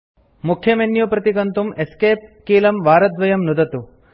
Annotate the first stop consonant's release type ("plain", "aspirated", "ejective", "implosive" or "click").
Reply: aspirated